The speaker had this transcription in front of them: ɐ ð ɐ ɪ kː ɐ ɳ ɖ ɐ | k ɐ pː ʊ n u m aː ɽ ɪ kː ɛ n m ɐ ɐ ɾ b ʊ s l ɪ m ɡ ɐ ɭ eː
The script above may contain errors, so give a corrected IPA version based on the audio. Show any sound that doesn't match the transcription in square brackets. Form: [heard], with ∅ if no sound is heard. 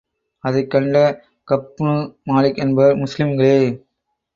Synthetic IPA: ɐ ð ɐ ɪ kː ɐ ɳ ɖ ɐ | k ɐ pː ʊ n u m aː [l] ɪ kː ɛ n [b] ɐ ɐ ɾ [m] ʊ s l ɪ m ɡ ɐ ɭ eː

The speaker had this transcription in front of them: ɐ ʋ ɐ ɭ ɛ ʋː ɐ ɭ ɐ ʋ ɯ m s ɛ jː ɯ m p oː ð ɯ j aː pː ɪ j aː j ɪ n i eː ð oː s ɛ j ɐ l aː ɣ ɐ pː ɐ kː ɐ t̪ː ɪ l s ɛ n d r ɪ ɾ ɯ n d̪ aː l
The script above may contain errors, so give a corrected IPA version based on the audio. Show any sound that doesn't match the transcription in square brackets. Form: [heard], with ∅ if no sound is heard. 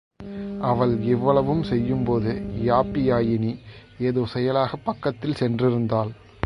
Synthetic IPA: ɐ ʋ ɐ ɭ ɛ ʋː ɐ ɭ ɐ ʋ ɯ m s ɛ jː ɯ m p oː ð ɯ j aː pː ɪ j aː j ɪ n i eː ð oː s ɛ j ɐ l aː ɣ ɐ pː ɐ kː ɐ t̪ː ɪ l s ɛ n d r ɪ ɾ ɯ n d̪ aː l

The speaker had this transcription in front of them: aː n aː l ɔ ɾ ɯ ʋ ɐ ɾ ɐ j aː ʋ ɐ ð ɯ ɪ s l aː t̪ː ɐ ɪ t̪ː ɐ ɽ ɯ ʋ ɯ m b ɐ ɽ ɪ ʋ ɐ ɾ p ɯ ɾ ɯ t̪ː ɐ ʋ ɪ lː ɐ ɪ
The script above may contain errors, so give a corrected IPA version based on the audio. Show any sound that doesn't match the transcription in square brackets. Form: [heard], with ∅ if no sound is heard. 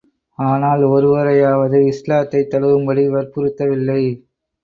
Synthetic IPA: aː n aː l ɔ ɾ ɯ ʋ ɐ ɾ ɐ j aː ʋ ɐ ð ɯ ɪ s l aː t̪ː ɐ ɪ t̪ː ɐ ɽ ɯ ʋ ɯ m b ɐ ɽ [i] ʋ ɐ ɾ p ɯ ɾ ɯ t̪ː ɐ ʋ ɪ lː ɐ ɪ

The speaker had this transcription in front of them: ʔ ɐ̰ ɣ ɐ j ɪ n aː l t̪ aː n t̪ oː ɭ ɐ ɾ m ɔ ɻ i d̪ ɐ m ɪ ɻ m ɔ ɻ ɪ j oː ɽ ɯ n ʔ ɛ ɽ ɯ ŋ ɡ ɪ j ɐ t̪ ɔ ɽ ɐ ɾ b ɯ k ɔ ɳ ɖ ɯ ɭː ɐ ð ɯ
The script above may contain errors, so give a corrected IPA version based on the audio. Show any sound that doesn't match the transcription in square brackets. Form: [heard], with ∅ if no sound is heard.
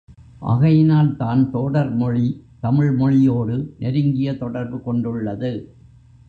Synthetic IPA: ʔ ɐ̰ ɣ ɐ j ɪ n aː l t̪ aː n t̪ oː [ɽ] ɐ ɾ m ɔ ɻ i [t̪] ɐ m ɪ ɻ m ɔ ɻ ɪ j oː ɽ ɯ n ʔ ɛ [ɾ] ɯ ŋ ɡ ɪ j ɐ t̪ ɔ ɽ ɐ ɾ b ɯ k ɔ ɳ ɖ ɯ ɭː ɐ ð ɯ

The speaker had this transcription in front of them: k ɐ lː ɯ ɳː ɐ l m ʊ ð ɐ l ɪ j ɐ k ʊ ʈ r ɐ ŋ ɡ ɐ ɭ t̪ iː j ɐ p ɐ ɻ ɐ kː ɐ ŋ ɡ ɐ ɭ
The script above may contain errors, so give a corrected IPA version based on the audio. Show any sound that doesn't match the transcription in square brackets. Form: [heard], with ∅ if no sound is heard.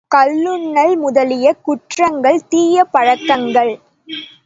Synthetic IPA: k ɐ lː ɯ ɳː ɐ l m ʊ ð ɐ l ɪ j ɐ k ʊ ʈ r ɐ ŋ ɡ ɐ ɭ t̪ iː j ɐ p ɐ ɻ ɐ kː ɐ ŋ ɡ ɐ ɭ

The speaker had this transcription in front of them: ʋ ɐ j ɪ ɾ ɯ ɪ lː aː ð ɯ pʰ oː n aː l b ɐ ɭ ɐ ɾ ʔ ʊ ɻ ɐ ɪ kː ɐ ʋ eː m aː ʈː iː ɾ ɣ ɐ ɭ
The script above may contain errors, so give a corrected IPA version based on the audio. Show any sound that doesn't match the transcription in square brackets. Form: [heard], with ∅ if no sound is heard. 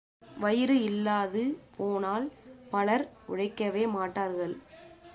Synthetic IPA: ʋ ɐ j ɪ ɾ ɯ ɪ lː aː ð ɯ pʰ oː n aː l [p] ɐ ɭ ɐ ɾ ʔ ʊ ɻ ɐ ɪ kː ɐ ʋ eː m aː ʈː [aː] ɾ ɣ ɐ ɭ

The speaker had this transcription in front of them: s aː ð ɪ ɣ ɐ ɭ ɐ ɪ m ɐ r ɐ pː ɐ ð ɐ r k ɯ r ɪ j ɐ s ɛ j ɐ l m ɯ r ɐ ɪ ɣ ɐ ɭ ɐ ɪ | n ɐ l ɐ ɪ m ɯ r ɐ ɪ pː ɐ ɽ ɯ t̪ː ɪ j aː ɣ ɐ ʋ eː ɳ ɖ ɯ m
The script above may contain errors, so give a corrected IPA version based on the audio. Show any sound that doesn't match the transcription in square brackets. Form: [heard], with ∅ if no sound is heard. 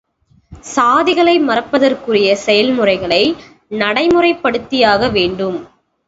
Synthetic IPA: s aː ð ɪ ɣ ɐ ɭ ɐ ɪ m ɐ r ɐ pː ɐ ð ɐ r k ɯ r ɪ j ɐ s ɛ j ɐ l m ɯ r ɐ ɪ ɣ ɐ ɭ ɐ ɪ | n ɐ [ɽ] ɐ ɪ m ɯ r ɐ ɪ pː ɐ ɽ ɯ t̪ː ɪ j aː ɣ ɐ ʋ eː ɳ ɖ ɯ m

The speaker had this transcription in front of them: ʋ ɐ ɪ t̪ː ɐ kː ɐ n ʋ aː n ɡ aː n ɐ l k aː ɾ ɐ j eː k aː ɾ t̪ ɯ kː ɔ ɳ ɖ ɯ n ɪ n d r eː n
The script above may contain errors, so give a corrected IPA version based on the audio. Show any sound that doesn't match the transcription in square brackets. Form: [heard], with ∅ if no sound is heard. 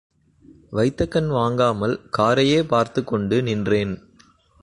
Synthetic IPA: ʋ ɐ ɪ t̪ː ɐ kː ɐ n ʋ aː [ŋ] ɡ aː [m] ɐ l k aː ɾ ɐ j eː [p] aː ɾ t̪ ɯ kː ɔ ɳ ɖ ɯ n ɪ n d r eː n

